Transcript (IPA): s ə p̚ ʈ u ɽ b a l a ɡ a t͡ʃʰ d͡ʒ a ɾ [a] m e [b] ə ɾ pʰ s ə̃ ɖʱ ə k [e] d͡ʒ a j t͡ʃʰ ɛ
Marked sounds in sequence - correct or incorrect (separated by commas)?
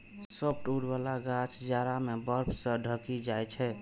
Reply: correct, correct, incorrect